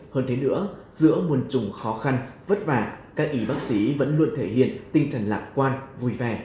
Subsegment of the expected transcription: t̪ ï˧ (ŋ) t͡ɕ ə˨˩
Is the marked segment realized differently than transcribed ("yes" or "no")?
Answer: no